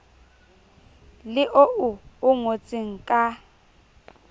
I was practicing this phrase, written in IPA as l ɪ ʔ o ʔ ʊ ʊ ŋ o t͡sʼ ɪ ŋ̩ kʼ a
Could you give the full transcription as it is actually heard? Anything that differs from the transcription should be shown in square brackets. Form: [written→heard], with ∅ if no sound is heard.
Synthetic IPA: l ɪ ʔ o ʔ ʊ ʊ ŋ o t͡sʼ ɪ ŋ̩ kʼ a